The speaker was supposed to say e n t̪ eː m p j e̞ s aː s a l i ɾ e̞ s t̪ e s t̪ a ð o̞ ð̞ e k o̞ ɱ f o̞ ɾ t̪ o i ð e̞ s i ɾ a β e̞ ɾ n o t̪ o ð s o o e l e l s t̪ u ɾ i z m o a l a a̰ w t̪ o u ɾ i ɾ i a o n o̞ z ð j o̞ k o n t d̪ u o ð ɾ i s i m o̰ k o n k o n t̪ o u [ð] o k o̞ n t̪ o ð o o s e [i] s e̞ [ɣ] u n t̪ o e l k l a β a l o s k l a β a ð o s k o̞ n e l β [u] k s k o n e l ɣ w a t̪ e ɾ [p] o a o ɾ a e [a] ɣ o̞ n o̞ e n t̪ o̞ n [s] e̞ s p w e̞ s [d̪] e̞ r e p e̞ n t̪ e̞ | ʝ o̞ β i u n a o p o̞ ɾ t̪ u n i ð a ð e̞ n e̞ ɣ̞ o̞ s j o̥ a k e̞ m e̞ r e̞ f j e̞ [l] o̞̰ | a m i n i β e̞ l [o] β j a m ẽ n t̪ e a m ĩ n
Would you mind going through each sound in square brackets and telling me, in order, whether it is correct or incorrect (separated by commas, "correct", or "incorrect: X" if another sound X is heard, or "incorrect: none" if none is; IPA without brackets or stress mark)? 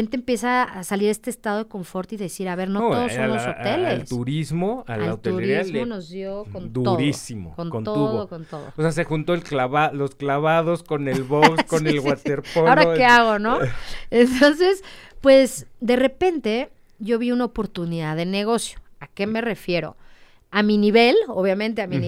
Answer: correct, incorrect: a, incorrect: x, incorrect: o, correct, correct, correct, correct, incorrect: ɾ, correct